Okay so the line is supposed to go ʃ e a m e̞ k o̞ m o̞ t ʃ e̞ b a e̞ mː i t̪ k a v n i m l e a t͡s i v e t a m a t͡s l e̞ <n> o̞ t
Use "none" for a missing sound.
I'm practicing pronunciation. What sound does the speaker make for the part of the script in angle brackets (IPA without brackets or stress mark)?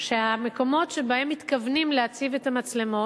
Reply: m